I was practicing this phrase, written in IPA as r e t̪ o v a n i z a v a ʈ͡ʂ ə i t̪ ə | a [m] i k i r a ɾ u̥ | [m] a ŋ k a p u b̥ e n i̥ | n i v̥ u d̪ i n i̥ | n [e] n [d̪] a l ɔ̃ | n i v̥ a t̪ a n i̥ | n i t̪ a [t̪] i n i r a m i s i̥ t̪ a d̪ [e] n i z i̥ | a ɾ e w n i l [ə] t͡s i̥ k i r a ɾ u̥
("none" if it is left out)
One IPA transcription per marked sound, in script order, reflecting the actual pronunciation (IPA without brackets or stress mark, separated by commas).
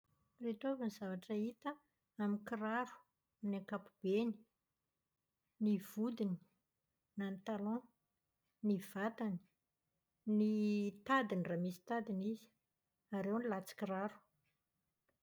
m, n, a, t̪, d̪, i, a